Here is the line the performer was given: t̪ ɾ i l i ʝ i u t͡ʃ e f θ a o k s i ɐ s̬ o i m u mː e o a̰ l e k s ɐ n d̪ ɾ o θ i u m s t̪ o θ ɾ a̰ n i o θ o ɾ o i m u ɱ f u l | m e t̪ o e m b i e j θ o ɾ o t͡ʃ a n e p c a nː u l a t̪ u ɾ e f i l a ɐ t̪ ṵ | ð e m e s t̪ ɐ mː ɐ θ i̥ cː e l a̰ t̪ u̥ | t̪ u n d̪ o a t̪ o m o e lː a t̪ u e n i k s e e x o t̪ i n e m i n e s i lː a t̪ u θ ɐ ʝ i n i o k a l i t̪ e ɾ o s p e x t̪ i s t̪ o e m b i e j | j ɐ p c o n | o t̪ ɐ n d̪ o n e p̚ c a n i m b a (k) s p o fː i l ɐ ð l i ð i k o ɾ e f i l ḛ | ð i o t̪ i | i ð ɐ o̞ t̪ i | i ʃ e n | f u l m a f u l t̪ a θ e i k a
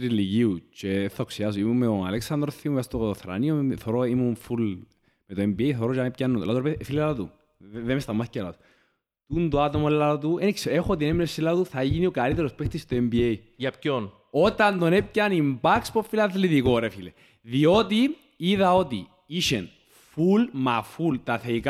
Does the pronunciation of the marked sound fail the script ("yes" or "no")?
no